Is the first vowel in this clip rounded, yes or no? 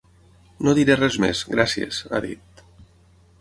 yes